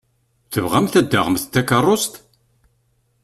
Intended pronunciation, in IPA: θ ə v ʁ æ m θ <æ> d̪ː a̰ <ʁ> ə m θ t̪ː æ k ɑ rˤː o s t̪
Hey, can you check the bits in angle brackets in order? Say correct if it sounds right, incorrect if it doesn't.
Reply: correct, correct

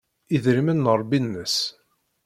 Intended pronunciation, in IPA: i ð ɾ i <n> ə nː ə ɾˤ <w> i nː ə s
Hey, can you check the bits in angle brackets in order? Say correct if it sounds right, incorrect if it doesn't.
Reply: incorrect, incorrect

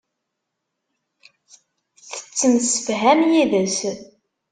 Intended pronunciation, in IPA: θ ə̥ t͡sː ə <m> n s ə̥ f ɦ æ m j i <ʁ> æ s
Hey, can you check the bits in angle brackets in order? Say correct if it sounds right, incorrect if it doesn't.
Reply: incorrect, incorrect

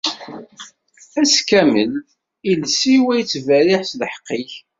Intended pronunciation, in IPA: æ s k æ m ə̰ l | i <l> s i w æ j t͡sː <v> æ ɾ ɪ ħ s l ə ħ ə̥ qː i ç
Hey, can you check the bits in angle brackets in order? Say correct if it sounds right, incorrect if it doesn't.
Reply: correct, correct

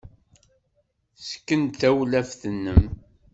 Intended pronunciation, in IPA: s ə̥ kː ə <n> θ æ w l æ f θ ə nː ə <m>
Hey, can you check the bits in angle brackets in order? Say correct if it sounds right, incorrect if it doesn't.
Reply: correct, correct

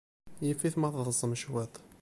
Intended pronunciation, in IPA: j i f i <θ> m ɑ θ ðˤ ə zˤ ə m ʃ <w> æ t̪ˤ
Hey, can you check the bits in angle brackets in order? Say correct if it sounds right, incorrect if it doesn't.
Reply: correct, correct

